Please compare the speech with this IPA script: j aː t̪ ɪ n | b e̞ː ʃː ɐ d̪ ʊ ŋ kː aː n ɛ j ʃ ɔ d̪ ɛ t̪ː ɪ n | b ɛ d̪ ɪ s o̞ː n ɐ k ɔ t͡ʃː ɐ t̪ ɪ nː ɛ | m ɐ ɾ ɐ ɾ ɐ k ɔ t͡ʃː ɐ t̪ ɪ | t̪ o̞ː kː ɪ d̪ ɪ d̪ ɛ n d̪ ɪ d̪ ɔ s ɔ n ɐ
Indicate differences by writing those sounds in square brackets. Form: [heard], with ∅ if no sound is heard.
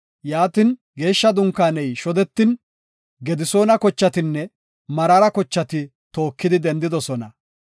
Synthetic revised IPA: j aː t̪ ɪ n | [ɡ] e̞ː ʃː ɐ d̪ ʊ ŋ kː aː n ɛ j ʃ ɔ d̪ ɛ t̪ː ɪ n | [ɡ] ɛ d̪ ɪ s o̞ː n ɐ k ɔ t͡ʃː ɐ t̪ ɪ nː ɛ | m ɐ ɾ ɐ ɾ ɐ k ɔ t͡ʃː ɐ t̪ ɪ | t̪ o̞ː kː ɪ d̪ ɪ d̪ ɛ n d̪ ɪ d̪ ɔ s ɔ n ɐ